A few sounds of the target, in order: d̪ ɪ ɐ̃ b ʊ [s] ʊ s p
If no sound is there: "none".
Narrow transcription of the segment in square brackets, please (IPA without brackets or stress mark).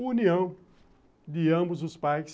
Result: z